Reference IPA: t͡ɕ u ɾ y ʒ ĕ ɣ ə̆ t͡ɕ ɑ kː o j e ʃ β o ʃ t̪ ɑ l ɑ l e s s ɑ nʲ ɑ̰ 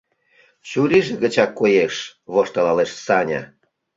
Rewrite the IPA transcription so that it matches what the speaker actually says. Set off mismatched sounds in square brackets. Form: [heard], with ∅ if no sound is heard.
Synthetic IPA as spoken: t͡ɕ u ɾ [i] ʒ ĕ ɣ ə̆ t͡ɕ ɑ kː o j e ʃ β o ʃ t̪ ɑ l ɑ l e [ʃ] s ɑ nʲ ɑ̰